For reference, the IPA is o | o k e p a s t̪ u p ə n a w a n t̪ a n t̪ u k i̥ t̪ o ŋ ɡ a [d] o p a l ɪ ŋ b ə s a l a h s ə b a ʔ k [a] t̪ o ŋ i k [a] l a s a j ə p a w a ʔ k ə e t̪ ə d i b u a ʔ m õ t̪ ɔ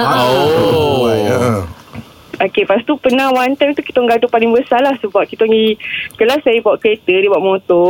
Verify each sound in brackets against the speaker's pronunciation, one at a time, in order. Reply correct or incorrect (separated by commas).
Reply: correct, incorrect, incorrect